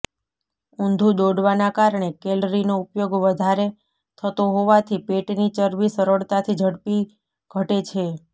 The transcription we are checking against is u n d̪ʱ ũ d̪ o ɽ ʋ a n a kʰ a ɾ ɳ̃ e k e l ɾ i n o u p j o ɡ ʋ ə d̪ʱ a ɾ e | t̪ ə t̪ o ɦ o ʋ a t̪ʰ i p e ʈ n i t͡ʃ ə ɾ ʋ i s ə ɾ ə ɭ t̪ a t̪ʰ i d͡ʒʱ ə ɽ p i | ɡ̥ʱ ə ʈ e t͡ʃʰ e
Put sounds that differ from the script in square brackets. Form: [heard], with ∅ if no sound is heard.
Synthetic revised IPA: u n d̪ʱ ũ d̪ o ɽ ʋ a n a [k] a ɾ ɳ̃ e k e l ɾ i n o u p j o ɡ ʋ ə d̪ʱ a ɾ e | [t̪ʰ] ə t̪ o ɦ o ʋ a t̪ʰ i p e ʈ n i t͡ʃ ə ɾ ʋ i s ə ɾ ə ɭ t̪ a t̪ʰ i d͡ʒʱ ə ɽ p i | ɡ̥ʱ ə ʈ e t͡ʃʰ e